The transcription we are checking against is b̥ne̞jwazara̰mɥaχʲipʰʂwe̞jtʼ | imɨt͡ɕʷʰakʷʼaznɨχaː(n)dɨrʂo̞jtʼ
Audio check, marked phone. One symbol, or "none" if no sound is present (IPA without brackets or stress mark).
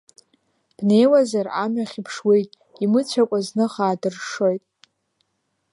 none